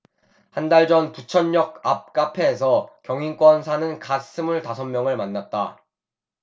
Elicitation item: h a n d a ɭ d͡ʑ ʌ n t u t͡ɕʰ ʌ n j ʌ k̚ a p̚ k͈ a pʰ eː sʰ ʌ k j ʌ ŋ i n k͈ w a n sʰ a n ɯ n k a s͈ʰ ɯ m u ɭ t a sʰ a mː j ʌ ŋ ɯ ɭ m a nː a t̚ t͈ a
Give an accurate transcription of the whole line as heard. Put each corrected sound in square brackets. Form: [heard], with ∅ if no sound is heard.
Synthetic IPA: h a n d a ɭ d͡ʑ ʌ n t u t͡ɕʰ ʌ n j ʌ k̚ a p̚ k͈ a pʰ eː sʰ ʌ k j ʌ ŋ i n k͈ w [ʌ] n sʰ a n ɯ n k a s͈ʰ ɯ m u ɭ t a sʰ [ʌ] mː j ʌ ŋ ɯ ɭ m a nː a t̚ t͈ a